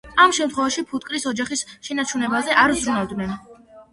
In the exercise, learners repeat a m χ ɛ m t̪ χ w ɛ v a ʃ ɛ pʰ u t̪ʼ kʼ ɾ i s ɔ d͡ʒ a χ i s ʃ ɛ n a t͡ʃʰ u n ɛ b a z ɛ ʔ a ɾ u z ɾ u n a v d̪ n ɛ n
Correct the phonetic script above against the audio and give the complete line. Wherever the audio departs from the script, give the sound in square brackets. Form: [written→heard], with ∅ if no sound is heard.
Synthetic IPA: a m [χ→ʃ] ɛ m t̪ χ w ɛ v a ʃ [ɛ→i] pʰ u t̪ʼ kʼ ɾ i s ɔ d͡ʒ a χ i s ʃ ɛ n a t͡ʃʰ u n ɛ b a z ɛ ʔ a ɾ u z ɾ u n a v d̪ n ɛ n